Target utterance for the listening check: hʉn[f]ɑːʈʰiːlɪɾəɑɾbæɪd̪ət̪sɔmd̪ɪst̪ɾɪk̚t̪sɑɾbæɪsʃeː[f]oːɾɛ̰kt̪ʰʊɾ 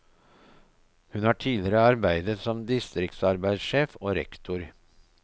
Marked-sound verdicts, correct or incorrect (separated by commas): incorrect, correct